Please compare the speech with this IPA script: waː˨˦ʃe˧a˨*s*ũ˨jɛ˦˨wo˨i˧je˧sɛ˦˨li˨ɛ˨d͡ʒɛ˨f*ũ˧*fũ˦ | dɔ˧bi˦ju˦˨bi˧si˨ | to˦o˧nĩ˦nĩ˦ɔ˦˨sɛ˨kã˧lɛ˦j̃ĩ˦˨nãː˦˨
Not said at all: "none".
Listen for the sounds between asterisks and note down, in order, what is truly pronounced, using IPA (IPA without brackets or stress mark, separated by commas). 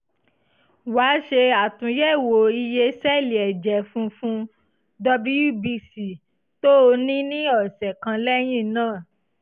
t, ũ˧